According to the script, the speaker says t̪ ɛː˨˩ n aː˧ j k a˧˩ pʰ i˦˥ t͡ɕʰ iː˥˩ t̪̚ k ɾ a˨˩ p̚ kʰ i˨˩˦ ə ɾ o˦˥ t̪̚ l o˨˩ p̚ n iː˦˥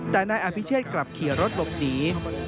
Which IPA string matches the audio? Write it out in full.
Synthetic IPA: t̪ ɛː˨˩ n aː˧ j ʔ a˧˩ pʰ i˦˥ t͡ɕʰ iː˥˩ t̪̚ k l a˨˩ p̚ kʰ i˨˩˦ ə ɾ o˦˥ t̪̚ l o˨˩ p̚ n iː˦˥

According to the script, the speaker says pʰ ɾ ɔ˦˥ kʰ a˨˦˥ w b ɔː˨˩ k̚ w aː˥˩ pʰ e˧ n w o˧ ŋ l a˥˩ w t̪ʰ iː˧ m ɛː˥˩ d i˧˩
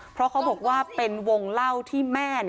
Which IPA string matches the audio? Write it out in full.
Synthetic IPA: pʰ ɾ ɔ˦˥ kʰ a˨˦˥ w b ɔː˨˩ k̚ w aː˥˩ p e˧ n w o˧ ŋ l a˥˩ w t̪ʰ iː˥˩ m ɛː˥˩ n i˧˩

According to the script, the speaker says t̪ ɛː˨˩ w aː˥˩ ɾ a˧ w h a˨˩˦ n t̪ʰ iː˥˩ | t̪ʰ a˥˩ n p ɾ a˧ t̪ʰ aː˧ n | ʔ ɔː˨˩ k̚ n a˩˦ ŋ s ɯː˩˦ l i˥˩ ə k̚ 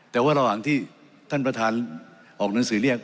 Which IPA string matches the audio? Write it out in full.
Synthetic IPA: t̪ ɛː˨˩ w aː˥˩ ɾ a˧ w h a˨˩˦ ŋ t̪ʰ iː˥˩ | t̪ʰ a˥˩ n p ɾ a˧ t̪ʰ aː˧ n | ʔ ɔː˨˩ k̚ n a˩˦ ŋ s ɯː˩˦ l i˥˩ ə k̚

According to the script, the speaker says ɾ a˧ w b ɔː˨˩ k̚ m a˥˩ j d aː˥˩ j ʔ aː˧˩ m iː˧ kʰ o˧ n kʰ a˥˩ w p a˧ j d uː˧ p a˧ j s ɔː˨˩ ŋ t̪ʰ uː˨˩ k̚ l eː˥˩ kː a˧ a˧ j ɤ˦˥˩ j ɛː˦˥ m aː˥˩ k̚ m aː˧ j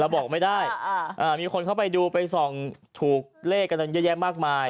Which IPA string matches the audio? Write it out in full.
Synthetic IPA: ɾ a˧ w b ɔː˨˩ k̚ m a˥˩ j d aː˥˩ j ʔ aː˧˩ m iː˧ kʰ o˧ n kʰ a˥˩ w p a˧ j d uː˧ p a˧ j s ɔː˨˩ ŋ t̪ʰ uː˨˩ k̚ l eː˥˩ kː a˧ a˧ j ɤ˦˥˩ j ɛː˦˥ m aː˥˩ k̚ m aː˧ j

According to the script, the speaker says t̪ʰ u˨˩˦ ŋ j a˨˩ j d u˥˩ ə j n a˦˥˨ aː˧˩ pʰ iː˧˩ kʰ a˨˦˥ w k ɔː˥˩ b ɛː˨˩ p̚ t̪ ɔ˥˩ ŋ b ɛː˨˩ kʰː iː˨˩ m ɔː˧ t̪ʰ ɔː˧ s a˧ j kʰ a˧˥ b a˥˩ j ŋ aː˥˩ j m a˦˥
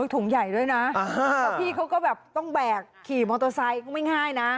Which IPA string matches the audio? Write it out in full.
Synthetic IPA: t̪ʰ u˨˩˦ ŋ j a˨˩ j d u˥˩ ə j n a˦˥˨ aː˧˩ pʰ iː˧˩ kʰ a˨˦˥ w k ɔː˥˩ b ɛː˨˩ p̚ t̪ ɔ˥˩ ŋ b ɛː˨˩ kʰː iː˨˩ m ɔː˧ t̪ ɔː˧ s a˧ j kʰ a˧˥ m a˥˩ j ŋ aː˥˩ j n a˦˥

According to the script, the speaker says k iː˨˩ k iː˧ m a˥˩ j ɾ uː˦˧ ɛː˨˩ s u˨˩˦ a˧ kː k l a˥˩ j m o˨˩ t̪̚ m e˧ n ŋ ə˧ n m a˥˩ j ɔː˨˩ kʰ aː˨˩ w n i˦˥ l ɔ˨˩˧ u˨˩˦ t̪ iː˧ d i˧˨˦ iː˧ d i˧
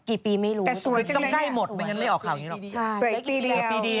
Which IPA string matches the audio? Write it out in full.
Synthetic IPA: k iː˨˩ p iː˧ m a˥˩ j ɾ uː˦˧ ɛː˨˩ s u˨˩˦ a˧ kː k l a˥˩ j m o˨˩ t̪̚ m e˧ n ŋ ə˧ n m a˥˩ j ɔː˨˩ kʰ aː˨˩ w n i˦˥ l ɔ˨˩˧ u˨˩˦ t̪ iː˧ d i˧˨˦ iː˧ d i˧

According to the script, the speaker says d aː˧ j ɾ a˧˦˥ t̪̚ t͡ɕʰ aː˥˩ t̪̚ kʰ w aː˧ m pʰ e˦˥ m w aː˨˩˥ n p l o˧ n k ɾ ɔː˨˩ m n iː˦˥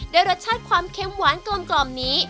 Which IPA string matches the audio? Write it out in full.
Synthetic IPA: d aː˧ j ɾ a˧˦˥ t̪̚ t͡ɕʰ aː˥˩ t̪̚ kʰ w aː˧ m kʰ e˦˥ m w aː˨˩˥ n k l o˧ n k l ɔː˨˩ m n iː˦˥

